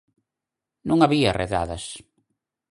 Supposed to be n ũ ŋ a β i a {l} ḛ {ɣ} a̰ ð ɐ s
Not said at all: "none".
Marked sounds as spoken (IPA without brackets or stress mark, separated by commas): r, ð